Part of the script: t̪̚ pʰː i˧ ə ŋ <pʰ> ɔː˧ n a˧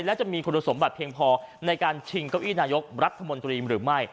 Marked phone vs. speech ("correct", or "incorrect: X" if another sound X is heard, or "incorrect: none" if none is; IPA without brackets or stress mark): correct